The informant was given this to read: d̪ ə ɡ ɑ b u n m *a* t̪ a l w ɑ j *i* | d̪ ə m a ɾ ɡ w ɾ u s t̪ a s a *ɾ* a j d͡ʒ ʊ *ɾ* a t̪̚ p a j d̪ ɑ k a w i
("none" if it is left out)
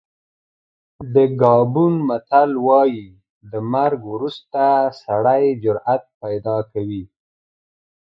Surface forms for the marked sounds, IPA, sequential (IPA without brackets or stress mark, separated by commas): a, i, ɽ, ɾ